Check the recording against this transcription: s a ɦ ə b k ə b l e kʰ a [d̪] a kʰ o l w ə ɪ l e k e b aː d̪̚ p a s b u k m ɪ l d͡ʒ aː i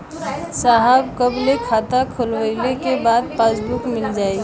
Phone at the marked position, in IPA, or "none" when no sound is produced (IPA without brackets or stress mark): t̪